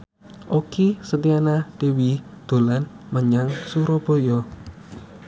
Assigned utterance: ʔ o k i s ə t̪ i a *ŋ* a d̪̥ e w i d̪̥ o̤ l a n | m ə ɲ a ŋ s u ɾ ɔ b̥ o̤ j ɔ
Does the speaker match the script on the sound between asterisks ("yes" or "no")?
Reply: no